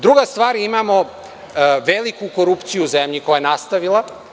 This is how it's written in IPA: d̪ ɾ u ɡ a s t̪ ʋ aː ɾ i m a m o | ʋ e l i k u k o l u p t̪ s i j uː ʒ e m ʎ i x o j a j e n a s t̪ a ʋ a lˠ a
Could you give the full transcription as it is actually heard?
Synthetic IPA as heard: d̪ ɾ u ɡ a s t̪ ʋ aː ɾ i m a m o | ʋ e l i k u k o ɾ u p t̪ s i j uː z e m ʎ i k o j a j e n a s t̪ a ʋ i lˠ a